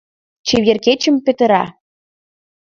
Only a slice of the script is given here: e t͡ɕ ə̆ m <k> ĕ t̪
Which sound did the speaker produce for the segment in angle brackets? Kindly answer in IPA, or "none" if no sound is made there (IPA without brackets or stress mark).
p